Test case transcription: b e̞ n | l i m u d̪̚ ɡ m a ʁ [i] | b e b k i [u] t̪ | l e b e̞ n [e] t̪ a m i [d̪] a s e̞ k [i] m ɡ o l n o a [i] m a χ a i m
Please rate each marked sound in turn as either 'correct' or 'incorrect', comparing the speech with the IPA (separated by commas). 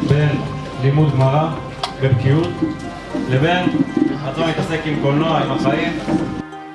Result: incorrect, correct, incorrect, incorrect, correct, correct